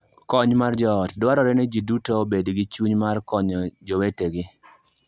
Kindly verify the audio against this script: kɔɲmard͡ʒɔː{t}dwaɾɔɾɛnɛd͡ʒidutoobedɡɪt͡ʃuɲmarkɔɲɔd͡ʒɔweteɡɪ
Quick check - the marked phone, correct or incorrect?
correct